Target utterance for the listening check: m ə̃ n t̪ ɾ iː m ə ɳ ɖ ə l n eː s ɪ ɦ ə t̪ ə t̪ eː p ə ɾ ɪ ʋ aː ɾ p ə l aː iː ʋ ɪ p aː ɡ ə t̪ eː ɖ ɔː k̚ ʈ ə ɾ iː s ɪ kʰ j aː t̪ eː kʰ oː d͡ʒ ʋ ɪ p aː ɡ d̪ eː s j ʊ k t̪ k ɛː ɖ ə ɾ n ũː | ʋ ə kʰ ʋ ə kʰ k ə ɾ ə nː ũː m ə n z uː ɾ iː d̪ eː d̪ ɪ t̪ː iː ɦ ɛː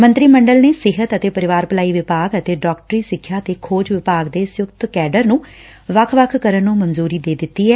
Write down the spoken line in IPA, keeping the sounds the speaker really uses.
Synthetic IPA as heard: m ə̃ n t̪ ɾ iː m ə ɳ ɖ ə l n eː s ɪ ɦ ə t̪ ə t̪ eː p ə ɾ ɪ ʋ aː ɾ p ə l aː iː ʋ ɪ p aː ɡ ə t̪ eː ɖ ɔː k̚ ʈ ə ɾ iː s ɪ kʰ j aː t̪ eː kʰ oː d͡ʒ ʋ ɪ p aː ɡ d̪ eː s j ʊ k t̪ k ɛː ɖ ə ɾ n ũː | ʋ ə kʰ ʋ ə kʰ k ə ɾ ə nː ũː m ə n z uː ɾ iː d̪ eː d̪ ɪ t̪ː iː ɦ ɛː